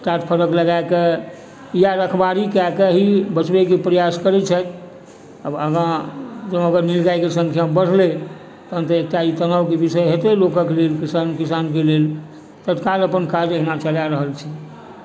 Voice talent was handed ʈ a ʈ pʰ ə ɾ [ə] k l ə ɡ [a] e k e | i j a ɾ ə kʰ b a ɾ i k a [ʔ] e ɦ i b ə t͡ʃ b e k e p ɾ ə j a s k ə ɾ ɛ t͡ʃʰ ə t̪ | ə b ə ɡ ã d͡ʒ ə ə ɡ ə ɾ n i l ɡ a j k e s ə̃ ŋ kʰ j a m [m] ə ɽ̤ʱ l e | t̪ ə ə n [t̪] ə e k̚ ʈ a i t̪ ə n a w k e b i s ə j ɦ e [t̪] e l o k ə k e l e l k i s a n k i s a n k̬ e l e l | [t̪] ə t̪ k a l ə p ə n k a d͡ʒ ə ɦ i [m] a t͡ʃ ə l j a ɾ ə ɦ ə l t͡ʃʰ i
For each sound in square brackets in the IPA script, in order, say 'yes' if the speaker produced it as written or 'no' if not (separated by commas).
yes, yes, no, no, yes, yes, yes, no